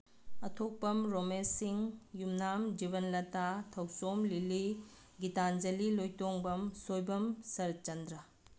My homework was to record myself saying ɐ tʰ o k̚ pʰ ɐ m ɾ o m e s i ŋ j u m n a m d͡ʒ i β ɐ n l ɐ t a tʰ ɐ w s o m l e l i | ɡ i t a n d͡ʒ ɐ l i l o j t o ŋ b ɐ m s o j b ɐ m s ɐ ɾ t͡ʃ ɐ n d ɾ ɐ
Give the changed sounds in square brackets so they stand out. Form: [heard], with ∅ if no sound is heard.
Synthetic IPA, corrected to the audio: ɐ tʰ o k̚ [p] ɐ m ɾ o m e s i ŋ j u m n a m d͡ʒ i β ɐ n l ɐ t a tʰ ɐ w s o m l [i] l i | ɡ i t a n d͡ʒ ɐ l i l o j t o ŋ b ɐ m s o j b ɐ m s ɐ ɾ t͡ʃ ɐ n d ɾ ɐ